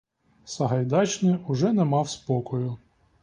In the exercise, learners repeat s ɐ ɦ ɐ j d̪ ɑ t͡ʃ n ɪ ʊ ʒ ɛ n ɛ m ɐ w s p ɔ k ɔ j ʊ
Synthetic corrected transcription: s ɐ ɦ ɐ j d̪ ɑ t͡ʃ n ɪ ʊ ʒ ɛ n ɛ m ɑ w s p ɔ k ɔ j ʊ